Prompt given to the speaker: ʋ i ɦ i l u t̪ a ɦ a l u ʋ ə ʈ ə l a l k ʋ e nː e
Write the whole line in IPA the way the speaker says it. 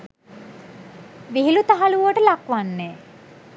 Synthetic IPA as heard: ʋ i ɦ i l u t̪ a ɦ a l u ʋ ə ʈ ə l a k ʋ a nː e

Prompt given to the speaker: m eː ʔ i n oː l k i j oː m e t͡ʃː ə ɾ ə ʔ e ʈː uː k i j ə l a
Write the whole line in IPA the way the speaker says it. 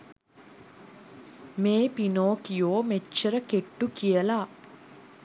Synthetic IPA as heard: m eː p i n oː k i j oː m e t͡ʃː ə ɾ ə k e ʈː u k i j ə l a

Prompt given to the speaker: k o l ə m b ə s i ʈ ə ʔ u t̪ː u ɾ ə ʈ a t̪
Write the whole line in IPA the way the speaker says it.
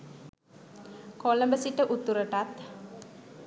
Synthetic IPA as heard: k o l ə m b ə s i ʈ ə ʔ u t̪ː u ɾ ə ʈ a t̪

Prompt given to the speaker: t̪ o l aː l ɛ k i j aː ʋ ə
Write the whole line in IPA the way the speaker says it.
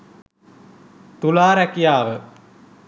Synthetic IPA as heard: t̪ u l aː ɾ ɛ k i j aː ʋ ə

